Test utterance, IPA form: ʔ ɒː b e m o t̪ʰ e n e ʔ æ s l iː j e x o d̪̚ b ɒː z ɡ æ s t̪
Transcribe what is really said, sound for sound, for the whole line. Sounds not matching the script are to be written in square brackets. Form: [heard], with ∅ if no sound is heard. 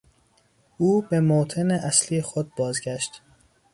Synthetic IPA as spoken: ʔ [uː] b e m o t̪ʰ e n e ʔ æ s l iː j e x o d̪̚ b ɒː z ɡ æ [ʃ] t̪